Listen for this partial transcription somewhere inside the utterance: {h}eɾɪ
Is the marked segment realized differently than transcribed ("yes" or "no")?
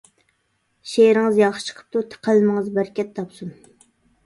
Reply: yes